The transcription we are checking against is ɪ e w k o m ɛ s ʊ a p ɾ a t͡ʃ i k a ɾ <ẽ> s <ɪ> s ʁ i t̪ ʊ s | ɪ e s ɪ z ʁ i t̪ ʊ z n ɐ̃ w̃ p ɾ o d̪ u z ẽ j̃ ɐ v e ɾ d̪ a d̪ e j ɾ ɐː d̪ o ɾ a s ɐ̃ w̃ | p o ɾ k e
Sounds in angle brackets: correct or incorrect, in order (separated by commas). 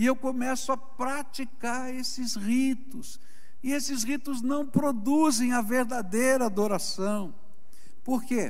incorrect, correct